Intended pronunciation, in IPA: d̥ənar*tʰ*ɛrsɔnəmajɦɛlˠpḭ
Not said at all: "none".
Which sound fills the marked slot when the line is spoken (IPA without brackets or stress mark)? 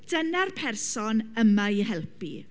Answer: pʰ